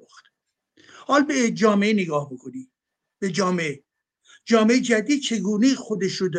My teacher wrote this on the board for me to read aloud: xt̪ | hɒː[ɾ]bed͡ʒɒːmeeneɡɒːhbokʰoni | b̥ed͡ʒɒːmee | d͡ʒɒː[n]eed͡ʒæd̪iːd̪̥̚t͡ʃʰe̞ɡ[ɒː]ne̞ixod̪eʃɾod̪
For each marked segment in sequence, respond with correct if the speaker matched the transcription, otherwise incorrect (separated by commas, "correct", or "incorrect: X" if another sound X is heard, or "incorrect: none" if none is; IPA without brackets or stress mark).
incorrect: l, incorrect: m, incorrect: uː